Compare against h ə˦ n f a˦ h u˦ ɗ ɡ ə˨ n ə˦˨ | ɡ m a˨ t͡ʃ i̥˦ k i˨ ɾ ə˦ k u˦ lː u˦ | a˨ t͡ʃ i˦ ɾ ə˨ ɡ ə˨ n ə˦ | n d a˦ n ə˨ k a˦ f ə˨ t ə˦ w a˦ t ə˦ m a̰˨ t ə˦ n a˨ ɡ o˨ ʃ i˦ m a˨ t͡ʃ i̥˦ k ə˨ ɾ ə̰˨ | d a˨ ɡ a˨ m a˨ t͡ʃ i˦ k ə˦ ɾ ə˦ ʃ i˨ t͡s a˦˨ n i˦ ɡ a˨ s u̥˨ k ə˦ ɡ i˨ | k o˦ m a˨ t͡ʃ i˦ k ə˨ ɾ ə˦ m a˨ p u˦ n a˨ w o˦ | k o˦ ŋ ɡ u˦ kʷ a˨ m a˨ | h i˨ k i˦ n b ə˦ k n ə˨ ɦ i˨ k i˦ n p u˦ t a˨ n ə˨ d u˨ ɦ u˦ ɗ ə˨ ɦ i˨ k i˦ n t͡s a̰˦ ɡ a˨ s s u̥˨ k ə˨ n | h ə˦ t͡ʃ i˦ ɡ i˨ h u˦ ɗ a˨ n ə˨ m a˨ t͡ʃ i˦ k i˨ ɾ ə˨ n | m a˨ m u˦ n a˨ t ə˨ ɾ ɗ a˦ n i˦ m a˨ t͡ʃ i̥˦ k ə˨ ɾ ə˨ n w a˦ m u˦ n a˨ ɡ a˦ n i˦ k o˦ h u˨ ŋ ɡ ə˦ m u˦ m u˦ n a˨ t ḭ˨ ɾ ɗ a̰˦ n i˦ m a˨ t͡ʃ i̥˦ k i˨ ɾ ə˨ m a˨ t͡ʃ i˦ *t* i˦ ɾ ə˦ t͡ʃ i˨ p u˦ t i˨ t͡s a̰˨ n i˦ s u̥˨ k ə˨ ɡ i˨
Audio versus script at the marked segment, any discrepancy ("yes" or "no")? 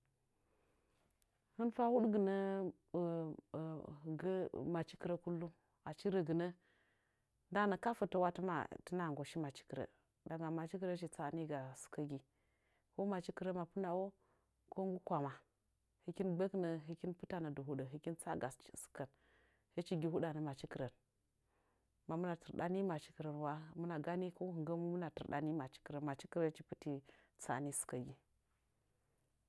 yes